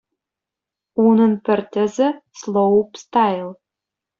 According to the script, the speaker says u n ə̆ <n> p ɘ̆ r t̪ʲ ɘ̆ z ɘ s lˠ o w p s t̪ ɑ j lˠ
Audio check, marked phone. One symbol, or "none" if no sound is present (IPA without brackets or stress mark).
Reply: n